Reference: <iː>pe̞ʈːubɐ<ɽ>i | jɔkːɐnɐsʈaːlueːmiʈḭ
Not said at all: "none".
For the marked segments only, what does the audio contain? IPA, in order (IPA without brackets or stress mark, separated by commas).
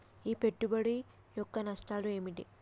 iː, ɽ